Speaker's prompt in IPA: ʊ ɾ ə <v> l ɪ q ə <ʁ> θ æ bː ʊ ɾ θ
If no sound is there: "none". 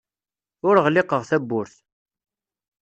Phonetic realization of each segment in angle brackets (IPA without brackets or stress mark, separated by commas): ʁ, ʁ